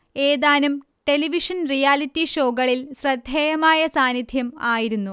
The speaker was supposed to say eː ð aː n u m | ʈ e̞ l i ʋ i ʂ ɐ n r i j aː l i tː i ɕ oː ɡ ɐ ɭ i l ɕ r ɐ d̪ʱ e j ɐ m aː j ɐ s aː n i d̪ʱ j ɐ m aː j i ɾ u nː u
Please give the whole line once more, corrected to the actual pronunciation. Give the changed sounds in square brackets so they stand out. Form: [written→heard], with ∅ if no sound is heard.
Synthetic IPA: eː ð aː n u m | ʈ e̞ l i ʋ i ʂ ɐ n r i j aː l i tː i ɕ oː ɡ ɐ ɭ i l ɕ r ɐ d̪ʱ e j ɐ m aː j ɐ s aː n i d̪ʱ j ɐ m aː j i ɾ u nː u